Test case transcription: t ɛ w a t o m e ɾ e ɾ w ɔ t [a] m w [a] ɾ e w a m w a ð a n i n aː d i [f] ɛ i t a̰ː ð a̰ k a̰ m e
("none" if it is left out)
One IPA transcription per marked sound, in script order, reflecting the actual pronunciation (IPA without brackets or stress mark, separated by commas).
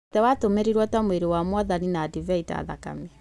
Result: a, e, v